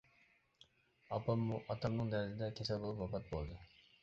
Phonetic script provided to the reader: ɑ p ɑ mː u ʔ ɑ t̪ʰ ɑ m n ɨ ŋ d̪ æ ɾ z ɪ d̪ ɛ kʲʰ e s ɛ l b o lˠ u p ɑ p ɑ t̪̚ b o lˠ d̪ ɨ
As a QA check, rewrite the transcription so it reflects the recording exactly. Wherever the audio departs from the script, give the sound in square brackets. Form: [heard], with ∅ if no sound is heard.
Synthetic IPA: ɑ p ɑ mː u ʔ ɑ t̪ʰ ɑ m n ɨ ŋ d̪ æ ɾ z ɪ d̪ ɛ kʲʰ e s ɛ l b o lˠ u p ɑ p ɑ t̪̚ b o lˠ d̪ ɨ

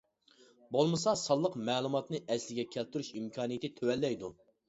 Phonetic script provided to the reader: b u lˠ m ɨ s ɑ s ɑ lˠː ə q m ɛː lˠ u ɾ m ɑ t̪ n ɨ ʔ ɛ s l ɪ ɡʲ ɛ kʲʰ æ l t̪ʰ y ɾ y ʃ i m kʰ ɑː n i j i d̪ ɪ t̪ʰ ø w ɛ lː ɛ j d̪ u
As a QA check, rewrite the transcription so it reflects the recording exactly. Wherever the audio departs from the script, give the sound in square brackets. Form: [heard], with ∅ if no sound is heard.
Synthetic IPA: b [o] lˠ m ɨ s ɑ s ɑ lˠː ə q m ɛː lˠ u [∅] m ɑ t̪ n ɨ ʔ ɛ s l ɪ ɡʲ ɛ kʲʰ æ l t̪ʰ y ɾ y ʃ i m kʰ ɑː n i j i [t̪] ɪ t̪ʰ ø w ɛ lː ɛ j d̪ u

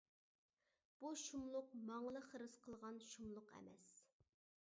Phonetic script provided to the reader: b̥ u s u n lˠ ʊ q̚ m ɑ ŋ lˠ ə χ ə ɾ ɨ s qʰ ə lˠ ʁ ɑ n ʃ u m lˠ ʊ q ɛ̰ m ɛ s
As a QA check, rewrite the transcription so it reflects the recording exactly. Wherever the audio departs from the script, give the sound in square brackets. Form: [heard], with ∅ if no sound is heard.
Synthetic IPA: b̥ u [ʃ] u [m] lˠ ʊ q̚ m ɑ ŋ lˠ ə χ ə ɾ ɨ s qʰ ə lˠ ʁ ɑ n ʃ u m lˠ ʊ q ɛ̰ m ɛ s

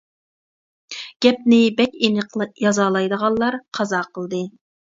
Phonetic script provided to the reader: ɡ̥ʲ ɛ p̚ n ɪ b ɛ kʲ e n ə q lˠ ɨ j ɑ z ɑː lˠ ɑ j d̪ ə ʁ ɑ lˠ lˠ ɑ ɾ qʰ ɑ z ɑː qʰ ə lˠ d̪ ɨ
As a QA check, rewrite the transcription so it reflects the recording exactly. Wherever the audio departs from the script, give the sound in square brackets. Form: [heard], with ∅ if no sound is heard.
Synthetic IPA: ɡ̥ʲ ɛ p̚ n ɪ b ɛ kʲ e n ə q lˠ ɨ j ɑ z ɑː lˠ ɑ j d̪ ə ʁ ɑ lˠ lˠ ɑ ɾ qʰ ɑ z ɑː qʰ ə lˠ d̪ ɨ

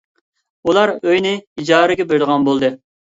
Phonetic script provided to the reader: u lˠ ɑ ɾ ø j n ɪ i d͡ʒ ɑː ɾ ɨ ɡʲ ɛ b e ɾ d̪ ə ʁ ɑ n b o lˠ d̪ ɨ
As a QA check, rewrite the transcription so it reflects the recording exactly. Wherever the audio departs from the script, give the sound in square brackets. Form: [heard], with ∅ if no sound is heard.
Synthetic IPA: u lˠ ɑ ɾ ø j n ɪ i d͡ʒ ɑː ɾ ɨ ɡʲ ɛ b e ɾ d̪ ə ʁ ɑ n b o lˠ d̪ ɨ

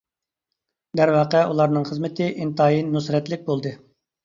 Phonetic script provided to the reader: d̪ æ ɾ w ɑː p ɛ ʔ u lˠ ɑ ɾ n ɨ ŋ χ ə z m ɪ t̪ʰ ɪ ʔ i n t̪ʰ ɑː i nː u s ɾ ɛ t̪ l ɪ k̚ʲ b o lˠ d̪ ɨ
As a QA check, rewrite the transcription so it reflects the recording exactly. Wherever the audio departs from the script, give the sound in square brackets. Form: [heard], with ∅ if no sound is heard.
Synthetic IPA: d̪ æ ɾ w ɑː [q] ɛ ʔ u lˠ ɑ ɾ n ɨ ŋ χ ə z m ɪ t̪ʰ ɪ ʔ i n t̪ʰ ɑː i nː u s ɾ ɛ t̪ l ɪ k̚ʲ b o lˠ d̪ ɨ

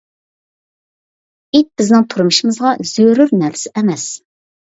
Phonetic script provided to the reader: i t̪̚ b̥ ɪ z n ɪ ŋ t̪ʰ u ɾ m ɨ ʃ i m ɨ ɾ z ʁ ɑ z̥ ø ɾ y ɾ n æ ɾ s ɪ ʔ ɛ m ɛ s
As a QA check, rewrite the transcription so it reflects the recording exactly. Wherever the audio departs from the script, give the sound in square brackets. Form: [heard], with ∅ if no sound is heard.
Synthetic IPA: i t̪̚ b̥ ɪ z n ɪ ŋ t̪ʰ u ɾ m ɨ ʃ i m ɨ [∅] z ʁ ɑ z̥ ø ɾ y ɾ n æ ɾ s ɪ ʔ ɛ m ɛ s

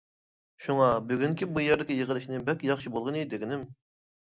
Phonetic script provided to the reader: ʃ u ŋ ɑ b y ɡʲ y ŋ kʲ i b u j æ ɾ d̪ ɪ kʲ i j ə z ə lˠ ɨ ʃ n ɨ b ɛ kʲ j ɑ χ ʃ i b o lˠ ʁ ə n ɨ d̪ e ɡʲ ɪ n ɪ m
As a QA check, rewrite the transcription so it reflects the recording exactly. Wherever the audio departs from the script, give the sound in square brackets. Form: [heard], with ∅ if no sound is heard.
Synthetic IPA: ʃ u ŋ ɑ b y ɡʲ y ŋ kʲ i b u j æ ɾ d̪ ɪ kʲ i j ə [ʁ] ə lˠ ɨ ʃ n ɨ b ɛ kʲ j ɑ χ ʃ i b o lˠ ʁ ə n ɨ d̪ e ɡʲ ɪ n ɪ m

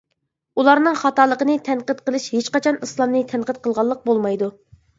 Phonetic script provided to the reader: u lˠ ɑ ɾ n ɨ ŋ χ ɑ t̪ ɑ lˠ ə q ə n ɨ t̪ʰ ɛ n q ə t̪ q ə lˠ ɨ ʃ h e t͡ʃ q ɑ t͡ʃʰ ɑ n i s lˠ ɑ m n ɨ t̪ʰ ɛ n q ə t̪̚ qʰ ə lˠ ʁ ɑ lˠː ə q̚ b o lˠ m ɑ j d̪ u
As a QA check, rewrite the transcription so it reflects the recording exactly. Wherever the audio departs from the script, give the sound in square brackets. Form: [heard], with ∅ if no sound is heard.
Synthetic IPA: u lˠ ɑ ɾ n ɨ ŋ χ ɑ t̪ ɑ lˠ ə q ə n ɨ t̪ʰ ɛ n q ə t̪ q ə lˠ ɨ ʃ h e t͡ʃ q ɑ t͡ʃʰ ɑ n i s lˠ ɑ m n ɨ t̪ʰ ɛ n q ə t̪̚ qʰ ə lˠ ʁ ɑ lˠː ə q̚ b o lˠ m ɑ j d̪ u

